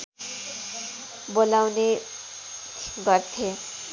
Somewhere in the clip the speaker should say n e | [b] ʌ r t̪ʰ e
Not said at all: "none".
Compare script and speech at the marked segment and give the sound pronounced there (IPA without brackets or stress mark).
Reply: ɡ